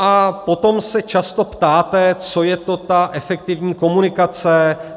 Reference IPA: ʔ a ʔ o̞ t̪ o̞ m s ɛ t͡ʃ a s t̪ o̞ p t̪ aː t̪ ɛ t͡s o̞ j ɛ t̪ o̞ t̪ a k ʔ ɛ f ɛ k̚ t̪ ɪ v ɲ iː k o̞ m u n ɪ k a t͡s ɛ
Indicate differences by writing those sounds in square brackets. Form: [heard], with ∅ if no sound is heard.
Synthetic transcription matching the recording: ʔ a [p] o̞ t̪ o̞ m s ɛ t͡ʃ a s t̪ o̞ p t̪ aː t̪ ɛ t͡s o̞ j ɛ t̪ o̞ t̪ a [∅] ʔ ɛ f ɛ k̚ t̪ ɪ v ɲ iː k o̞ m u n ɪ k a t͡s ɛ